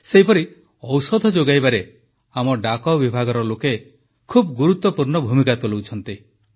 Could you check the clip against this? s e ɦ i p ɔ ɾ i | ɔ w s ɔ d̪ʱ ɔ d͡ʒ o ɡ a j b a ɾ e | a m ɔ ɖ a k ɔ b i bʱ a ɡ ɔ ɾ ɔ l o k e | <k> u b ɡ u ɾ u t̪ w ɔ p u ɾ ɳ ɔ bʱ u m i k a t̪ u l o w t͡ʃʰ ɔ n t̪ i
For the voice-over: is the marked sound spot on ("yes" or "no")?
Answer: no